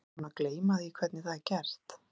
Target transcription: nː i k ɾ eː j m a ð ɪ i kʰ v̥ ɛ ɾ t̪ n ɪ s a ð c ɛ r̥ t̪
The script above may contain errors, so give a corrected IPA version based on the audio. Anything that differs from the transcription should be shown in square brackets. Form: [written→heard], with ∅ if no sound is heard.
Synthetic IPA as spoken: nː [i→a] k [ɾ→l] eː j m a ð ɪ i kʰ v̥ ɛ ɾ t̪ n ɪ [s→θ] a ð c ɛ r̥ t̪

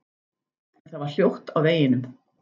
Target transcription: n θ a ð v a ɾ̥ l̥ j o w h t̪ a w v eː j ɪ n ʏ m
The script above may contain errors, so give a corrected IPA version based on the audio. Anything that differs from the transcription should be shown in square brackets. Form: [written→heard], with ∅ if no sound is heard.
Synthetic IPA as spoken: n θ a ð v a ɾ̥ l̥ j o w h t̪ a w v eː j ɪ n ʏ m

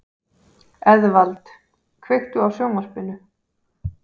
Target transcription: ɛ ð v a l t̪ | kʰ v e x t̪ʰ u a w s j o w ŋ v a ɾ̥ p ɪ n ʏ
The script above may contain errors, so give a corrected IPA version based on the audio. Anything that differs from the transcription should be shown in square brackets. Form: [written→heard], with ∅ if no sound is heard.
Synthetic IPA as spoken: ɛ ð v a l t̪ | kʰ v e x [t̪ʰ→t̪] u a w s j o w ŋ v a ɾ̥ p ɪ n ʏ

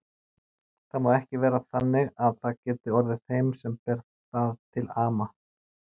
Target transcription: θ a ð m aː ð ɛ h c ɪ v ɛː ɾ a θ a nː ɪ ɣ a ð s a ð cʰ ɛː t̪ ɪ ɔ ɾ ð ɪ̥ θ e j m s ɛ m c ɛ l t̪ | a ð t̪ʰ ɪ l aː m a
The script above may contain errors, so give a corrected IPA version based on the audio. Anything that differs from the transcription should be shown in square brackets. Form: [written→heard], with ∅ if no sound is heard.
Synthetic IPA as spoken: θ a ð m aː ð ɛ h c ɪ v ɛː ɾ a θ a nː ɪ ɣ a ð [s→θ] a ð [cʰ→c] ɛː t̪ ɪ ɔ ɾ ð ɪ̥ θ e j m s ɛ m [c→p] ɛ [l→ɾ] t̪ | a ð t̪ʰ ɪ l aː m a

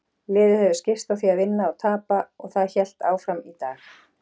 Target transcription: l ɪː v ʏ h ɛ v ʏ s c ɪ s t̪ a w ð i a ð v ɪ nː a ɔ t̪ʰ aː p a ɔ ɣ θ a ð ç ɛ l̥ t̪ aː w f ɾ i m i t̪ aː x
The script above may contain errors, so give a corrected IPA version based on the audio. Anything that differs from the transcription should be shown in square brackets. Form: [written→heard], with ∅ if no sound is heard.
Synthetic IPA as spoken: l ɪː [v→ð] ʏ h ɛ v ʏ s c ɪ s t̪ a w [ð→θ] i a ð v ɪ nː a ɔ t̪ʰ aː p a ɔ ɣ θ a ð ç ɛ l̥ t̪ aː w f ɾ [i→a] m i t̪ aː x

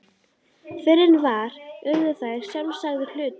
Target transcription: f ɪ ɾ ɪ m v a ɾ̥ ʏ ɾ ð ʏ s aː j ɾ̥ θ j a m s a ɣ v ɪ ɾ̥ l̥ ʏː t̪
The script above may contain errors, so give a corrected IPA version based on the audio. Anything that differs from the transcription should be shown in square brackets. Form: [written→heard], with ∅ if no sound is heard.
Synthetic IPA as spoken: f ɪ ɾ ɪ [m→n] v a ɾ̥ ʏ ɾ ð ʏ [s→θ] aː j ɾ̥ [θ→s] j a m s a ɣ [v→ð] ɪ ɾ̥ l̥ ʏː t̪

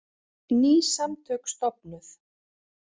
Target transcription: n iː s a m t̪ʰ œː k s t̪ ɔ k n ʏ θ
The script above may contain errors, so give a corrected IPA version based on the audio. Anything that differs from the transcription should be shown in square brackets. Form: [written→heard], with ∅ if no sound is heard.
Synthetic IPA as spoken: n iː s a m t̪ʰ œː k s t̪ ɔ [k→p] n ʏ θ

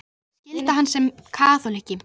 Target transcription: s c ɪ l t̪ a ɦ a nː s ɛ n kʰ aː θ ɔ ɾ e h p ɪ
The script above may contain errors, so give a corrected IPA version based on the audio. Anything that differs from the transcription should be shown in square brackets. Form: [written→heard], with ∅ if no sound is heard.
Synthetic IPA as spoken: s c ɪ l t̪ a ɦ a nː s ɛ [n→m] kʰ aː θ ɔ [ɾ→l] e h [p→c] ɪ

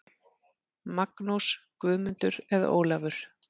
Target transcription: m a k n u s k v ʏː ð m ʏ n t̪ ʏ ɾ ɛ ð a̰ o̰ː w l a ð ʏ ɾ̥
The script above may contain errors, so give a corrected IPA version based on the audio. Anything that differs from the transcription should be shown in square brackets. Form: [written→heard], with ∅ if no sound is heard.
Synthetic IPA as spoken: m a k n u s k v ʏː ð m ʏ n t̪ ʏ ɾ ɛ ð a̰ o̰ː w l a [ð→v] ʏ ɾ̥

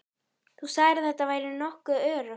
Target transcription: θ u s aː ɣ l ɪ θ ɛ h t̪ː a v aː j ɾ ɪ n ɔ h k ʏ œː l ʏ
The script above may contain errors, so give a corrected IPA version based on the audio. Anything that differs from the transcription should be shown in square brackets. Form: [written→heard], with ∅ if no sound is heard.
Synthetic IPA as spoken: θ u s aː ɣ [l→ɾ] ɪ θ ɛ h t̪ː a v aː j ɾ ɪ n ɔ h k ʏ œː [l→ɾ] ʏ

